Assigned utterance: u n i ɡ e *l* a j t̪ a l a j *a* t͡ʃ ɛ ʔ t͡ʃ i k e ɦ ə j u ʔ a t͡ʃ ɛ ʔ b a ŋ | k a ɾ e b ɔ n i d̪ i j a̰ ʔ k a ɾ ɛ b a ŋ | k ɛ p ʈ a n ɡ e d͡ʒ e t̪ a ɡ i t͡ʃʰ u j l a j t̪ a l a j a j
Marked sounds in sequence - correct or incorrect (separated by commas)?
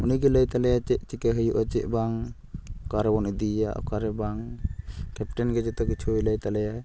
correct, correct